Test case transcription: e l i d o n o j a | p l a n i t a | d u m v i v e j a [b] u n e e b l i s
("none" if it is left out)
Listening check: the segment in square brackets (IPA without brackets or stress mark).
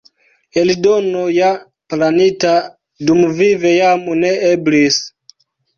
m